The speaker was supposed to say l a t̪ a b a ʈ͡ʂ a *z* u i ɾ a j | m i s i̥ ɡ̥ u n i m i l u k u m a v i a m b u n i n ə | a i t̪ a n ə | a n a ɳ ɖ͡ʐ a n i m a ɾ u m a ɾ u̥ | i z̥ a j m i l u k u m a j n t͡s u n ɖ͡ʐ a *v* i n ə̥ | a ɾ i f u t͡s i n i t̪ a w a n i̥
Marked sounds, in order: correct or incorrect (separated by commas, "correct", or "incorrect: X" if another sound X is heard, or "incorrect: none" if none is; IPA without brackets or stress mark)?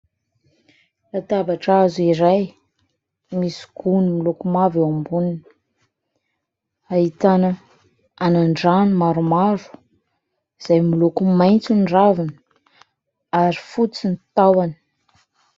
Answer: correct, correct